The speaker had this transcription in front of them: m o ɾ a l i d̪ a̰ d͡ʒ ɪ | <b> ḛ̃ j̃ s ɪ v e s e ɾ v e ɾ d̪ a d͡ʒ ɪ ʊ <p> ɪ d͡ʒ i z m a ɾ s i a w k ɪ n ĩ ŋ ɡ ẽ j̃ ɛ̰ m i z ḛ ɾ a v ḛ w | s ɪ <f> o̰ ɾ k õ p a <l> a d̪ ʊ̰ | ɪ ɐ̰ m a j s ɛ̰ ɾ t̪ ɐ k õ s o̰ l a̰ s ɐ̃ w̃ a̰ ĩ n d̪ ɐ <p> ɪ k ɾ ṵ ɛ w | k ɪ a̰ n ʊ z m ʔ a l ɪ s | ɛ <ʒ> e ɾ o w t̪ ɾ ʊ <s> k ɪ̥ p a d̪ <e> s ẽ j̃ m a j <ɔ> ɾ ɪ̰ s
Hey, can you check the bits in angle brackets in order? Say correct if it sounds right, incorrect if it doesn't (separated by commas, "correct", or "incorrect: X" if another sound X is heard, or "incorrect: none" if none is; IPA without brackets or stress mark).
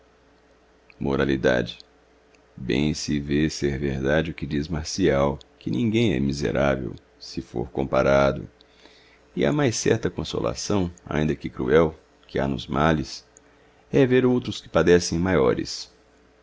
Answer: correct, incorrect: k, correct, incorrect: ɾ, incorrect: k, incorrect: v, correct, incorrect: ɛ, correct